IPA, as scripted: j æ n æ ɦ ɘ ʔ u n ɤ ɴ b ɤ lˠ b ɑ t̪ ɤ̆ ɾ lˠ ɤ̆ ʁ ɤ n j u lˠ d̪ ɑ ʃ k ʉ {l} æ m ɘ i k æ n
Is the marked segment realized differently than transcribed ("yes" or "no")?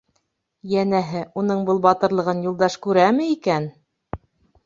yes